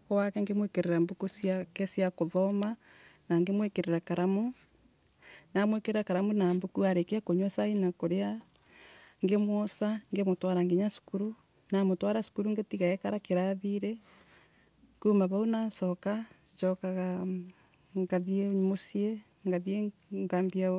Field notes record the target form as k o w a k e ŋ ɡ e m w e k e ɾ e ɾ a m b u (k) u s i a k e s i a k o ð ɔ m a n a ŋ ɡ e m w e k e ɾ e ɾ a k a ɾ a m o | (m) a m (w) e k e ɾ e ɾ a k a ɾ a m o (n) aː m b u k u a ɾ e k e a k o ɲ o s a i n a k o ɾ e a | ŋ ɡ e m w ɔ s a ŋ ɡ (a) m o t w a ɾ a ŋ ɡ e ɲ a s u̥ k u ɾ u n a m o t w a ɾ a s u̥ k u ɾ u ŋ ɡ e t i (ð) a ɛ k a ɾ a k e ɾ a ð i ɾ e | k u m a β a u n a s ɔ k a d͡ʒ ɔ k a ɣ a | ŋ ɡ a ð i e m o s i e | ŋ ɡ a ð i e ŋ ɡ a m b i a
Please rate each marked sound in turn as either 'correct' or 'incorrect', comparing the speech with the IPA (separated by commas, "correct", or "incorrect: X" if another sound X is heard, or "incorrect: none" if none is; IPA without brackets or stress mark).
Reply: correct, incorrect: n, correct, correct, incorrect: e, incorrect: ɣ